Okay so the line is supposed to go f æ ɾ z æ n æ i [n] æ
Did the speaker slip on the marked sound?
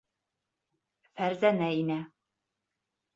no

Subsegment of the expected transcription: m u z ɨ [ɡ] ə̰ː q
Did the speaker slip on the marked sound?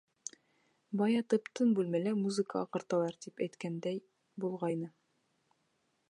yes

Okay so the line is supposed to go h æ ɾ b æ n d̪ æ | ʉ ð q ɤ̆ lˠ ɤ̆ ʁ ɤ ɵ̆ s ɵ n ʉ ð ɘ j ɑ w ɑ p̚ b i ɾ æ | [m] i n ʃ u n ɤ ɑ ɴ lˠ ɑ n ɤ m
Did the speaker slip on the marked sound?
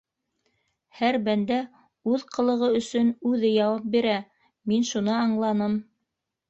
no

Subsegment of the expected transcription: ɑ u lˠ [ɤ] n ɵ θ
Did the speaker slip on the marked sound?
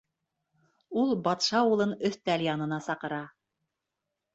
no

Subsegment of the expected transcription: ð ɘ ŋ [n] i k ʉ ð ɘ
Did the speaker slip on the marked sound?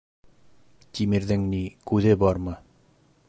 no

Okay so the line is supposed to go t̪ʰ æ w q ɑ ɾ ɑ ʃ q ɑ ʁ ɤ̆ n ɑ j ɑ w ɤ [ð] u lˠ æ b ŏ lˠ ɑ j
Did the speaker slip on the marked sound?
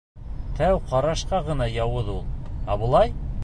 no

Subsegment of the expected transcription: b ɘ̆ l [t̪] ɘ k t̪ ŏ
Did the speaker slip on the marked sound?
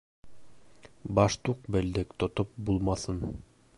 yes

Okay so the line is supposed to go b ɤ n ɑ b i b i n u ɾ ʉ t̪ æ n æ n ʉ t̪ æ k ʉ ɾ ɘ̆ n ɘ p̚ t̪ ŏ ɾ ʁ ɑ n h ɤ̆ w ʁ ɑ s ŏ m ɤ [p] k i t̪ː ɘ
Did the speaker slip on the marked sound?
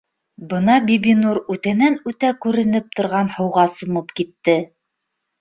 no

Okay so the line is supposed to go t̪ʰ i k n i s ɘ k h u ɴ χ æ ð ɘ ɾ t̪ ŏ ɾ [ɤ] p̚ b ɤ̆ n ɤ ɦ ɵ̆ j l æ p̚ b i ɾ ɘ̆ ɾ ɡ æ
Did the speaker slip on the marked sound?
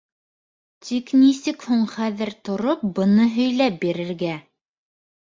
yes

